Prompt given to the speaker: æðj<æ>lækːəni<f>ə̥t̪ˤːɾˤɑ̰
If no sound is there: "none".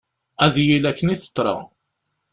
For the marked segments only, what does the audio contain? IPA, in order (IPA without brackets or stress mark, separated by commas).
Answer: i, θ